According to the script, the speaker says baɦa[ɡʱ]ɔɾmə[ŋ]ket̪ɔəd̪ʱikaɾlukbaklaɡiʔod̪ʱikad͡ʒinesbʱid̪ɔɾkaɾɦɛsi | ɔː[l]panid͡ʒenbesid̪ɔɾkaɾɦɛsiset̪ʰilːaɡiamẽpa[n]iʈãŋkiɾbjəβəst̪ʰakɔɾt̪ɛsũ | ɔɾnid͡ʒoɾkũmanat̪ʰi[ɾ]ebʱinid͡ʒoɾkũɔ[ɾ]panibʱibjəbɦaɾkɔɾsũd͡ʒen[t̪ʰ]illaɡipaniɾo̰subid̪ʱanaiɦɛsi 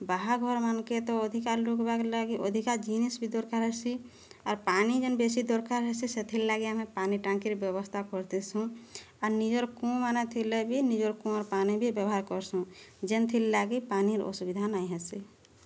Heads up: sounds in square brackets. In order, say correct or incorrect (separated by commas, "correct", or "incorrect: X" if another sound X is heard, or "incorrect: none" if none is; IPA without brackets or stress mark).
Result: correct, incorrect: n, incorrect: ɾ, correct, incorrect: l, correct, correct